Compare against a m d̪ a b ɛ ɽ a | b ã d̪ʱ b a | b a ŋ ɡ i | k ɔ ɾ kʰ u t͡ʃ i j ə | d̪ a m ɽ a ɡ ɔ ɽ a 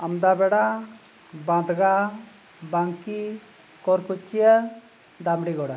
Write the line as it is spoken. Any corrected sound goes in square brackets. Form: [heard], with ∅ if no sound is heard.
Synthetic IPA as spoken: a m d̪ a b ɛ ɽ a | b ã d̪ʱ [ɡ] a | b a ŋ [k] i | k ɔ ɾ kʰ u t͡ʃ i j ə | d̪ a m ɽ [i] ɡ ɔ ɽ a